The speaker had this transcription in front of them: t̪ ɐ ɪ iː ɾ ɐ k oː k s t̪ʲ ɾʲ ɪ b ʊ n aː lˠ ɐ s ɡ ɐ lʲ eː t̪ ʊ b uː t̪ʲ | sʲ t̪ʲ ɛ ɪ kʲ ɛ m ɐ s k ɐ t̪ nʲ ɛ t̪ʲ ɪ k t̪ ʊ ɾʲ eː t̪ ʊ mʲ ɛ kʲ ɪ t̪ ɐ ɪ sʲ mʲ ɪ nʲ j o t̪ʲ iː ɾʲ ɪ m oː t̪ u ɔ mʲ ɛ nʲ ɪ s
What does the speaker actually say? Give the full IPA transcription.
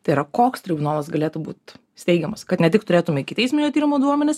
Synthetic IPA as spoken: t̪ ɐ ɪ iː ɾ ɐ k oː k s t̪ʲ ɾʲ ɪ b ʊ n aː lˠ ɐ s ɡ ɐ lʲ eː t̪ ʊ b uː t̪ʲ | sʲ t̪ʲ ɛ ɪ ɡʲ ɛ m ɐ s k ɐ t̪ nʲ ɛ t̪ʲ ɪ k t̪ ʊ ɾʲ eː t̪ ʊ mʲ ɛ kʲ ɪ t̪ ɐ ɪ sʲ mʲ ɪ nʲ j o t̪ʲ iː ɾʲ ɪ m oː d̪ u ɔ mʲ ɛ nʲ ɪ s